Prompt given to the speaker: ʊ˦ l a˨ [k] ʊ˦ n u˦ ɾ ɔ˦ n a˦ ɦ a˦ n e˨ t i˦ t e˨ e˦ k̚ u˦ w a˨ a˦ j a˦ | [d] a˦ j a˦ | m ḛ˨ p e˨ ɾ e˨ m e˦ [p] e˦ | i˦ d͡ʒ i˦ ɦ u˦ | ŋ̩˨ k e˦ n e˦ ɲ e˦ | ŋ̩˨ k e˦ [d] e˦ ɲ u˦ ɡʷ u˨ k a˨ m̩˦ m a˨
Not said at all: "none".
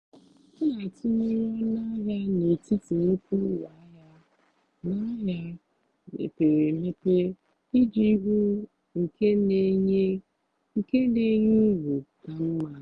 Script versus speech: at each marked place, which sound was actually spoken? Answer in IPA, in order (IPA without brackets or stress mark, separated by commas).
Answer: t, n, p, n